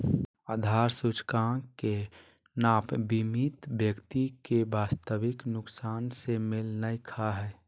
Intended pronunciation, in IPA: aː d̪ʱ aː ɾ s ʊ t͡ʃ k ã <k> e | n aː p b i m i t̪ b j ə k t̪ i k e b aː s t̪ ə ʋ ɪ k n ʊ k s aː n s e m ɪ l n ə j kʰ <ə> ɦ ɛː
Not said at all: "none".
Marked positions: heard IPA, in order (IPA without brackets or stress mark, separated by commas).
k, a